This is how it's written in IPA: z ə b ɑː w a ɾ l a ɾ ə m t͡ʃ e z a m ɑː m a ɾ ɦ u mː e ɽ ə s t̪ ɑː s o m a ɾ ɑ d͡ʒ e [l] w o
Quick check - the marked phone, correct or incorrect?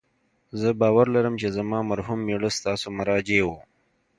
incorrect